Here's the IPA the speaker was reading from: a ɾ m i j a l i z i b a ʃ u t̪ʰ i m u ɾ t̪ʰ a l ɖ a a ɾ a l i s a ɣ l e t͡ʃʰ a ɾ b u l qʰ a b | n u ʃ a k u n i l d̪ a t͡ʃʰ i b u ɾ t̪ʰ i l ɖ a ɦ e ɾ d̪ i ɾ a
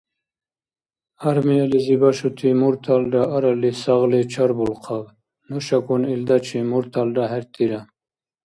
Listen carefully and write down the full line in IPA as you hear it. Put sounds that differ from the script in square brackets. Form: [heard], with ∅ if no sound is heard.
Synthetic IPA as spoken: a ɾ m i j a l i z i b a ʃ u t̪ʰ i m u ɾ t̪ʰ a l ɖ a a ɾ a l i s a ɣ l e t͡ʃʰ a ɾ b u l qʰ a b | n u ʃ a k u n i l d̪ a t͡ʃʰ i [m] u ɾ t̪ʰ [a] l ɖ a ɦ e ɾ [t̪] i ɾ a